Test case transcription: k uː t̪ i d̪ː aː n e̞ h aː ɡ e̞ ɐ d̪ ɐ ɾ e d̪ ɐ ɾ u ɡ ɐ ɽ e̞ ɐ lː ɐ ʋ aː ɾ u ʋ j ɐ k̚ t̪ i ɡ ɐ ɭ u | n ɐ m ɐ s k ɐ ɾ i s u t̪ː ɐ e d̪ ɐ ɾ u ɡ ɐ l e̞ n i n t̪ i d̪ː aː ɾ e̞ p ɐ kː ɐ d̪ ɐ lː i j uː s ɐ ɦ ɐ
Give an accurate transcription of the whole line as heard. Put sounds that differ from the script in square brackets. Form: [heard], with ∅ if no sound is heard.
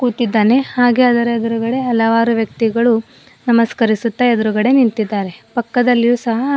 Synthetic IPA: k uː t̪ i d̪ː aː n e̞ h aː ɡ e̞ ɐ d̪ ɐ ɾ e d̪ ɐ ɾ u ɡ ɐ ɽ e̞ ɐ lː ɐ ʋ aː ɾ u ʋ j ɐ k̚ t̪ i ɡ ɐ ɭ u | n ɐ m ɐ s k ɐ ɾ i s u t̪ː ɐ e d̪ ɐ ɾ u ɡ ɐ [ɽ] e̞ n i n t̪ i d̪ː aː ɾ e̞ p ɐ kː ɐ d̪ ɐ lː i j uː s ɐ ɦ ɐ